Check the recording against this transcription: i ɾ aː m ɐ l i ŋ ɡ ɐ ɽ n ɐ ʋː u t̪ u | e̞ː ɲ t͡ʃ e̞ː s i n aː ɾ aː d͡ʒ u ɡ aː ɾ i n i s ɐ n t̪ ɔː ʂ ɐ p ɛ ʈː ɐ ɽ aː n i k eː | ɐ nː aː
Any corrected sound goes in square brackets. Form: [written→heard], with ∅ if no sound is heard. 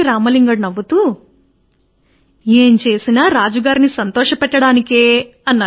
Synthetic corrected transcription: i ɾ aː m ɐ l i ŋ ɡ ɐ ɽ n ɐ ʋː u t̪ u | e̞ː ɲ t͡ʃ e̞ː s i n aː ɾ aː d͡ʒ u ɡ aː ɾ i n i s ɐ n t̪ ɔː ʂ ɐ p ɛ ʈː ɐ ɽ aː n i k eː | ɐ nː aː